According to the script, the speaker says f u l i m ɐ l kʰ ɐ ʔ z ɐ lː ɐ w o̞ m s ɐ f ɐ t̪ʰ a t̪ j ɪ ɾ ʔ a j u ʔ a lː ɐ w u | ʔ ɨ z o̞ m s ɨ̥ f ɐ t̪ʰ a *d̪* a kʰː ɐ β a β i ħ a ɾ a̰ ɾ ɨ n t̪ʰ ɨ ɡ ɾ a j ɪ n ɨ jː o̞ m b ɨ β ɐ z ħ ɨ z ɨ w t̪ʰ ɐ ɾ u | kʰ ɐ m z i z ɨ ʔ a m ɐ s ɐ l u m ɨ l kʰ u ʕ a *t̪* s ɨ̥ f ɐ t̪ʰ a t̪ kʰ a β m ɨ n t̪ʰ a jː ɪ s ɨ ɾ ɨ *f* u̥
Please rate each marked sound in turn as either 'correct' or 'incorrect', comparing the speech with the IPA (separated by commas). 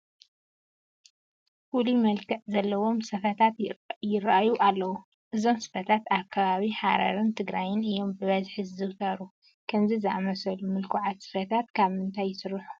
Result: incorrect, correct, incorrect